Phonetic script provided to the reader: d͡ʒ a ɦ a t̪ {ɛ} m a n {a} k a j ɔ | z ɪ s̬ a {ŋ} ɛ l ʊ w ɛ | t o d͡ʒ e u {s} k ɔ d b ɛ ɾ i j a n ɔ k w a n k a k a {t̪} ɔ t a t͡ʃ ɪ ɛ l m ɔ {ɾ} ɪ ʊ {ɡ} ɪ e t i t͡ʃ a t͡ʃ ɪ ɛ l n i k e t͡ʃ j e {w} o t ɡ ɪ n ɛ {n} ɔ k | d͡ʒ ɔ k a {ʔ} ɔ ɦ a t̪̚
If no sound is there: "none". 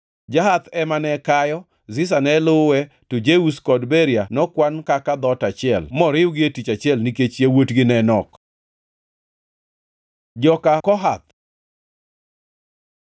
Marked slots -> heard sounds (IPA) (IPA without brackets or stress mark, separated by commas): ɛ, ɛ, n, s, d̪, ɾ, ɡ, w, n, k